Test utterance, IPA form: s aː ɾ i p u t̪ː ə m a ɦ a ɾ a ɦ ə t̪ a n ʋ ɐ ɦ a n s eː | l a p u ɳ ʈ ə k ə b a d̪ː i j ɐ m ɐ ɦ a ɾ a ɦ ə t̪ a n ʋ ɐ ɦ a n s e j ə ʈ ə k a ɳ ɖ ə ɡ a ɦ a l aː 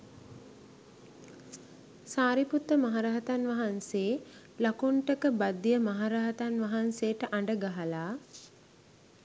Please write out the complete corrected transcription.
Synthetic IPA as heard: s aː ɾ i p u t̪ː ə m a ɦ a ɾ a ɦ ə t̪ a n ʋ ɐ ɦ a n s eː | l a k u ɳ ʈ ə k ə b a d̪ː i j ə m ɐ ɦ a ɾ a ɦ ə t̪ a n ʋ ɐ ɦ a n s e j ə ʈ ə ʔ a ɳ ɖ ə ɡ a ɦ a l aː